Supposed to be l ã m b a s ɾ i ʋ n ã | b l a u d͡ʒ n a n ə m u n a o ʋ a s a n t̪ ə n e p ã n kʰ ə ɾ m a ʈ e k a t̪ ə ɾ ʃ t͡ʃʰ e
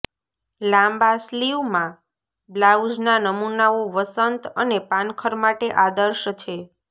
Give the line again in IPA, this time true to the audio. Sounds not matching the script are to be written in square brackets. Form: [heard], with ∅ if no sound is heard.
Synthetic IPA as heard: l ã m b a s [l] i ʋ [m] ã | b l a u d͡ʒ n a n ə m u n a o ʋ [ə] s [ə] n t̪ ə n e p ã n kʰ ə ɾ m a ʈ e [ʔ] a [d̪] ə ɾ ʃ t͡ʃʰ e